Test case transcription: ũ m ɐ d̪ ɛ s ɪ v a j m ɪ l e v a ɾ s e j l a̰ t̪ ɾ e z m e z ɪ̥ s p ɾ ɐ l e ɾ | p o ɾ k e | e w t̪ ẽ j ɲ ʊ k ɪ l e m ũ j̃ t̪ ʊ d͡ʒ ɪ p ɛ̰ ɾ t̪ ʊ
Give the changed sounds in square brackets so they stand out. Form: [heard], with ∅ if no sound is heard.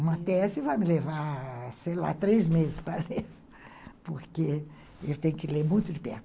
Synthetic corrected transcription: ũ m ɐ [t̪] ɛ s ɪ v a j m ɪ l e v a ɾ s e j l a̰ t̪ ɾ e z m e z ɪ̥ s p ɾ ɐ l e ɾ | p o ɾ k e | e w t̪ ẽ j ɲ ʊ k ɪ l e m ũ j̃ t̪ ʊ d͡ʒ ɪ p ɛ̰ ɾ t̪ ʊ